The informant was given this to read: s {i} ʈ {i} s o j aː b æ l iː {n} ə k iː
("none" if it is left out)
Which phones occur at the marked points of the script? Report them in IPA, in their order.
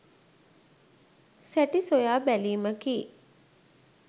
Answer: æ, i, m

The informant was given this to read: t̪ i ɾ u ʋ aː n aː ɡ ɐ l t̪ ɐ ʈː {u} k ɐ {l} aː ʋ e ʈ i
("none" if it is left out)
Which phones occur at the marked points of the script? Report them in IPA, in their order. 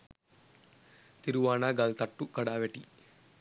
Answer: u, ɽ

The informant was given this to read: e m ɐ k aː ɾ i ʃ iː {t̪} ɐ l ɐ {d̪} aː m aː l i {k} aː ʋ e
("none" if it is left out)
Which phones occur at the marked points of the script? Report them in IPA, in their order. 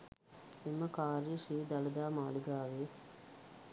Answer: d̪, d̪, ɡ

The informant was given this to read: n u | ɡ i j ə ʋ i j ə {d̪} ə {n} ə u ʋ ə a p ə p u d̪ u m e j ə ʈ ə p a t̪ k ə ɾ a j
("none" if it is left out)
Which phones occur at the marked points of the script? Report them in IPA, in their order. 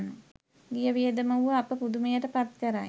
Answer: d̪, m

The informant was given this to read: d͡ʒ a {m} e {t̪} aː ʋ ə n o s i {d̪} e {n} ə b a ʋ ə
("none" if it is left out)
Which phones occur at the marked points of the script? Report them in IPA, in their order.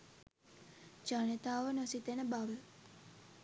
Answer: n, t̪, t̪, n

